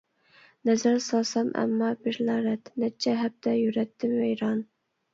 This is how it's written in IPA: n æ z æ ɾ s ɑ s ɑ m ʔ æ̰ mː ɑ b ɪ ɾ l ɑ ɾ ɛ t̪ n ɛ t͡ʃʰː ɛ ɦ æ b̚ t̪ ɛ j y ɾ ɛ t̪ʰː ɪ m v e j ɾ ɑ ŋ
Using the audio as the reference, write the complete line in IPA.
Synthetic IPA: n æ z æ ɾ s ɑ s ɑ m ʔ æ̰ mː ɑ b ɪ ɾ l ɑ ɾ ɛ t̪ n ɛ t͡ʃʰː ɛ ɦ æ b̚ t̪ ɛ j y ɾ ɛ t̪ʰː ɪ m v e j ɾ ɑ n